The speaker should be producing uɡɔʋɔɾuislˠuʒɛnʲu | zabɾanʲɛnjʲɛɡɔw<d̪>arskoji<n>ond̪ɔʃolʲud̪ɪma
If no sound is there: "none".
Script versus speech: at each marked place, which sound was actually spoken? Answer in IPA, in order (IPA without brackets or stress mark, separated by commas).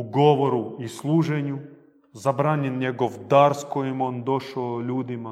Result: d̪, m